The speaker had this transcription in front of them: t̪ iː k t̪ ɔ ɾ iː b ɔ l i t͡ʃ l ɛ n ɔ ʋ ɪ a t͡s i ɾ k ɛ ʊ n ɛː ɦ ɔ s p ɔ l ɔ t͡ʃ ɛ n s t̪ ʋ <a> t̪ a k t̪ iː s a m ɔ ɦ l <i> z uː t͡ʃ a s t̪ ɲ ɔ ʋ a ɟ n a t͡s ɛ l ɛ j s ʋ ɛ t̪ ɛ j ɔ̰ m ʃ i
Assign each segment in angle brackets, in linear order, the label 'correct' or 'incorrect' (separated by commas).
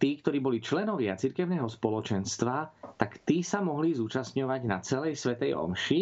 correct, correct